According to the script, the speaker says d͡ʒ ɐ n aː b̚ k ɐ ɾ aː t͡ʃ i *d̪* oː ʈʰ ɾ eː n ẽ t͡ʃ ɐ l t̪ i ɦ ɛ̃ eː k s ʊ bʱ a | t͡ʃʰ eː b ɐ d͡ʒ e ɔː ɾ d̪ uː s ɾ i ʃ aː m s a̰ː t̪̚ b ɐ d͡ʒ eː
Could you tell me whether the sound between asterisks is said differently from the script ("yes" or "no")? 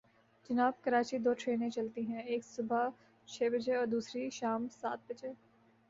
no